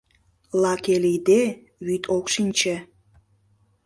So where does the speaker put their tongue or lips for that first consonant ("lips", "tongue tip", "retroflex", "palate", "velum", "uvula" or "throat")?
tongue tip